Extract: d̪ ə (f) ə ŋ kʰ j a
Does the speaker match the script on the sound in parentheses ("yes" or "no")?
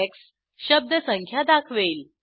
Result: no